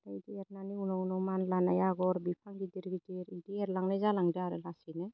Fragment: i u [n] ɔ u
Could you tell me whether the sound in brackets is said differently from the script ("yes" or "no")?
no